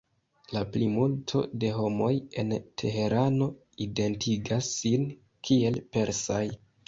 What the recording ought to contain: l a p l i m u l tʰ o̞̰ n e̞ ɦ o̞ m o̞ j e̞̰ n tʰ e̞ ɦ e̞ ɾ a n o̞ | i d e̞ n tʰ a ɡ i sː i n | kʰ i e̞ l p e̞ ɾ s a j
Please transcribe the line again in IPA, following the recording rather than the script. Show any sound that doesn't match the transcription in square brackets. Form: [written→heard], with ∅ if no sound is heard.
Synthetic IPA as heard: l a p l i m u l tʰ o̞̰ [n→d] e̞ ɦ o̞ m o̞ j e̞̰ n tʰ e̞ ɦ e̞ ɾ a n o̞ | i d e̞ n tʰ [a→i] ɡ [i→a] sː i n | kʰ i e̞ l p e̞ ɾ s a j